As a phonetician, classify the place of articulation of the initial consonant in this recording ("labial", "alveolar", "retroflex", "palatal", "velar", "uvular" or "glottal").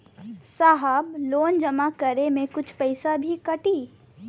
alveolar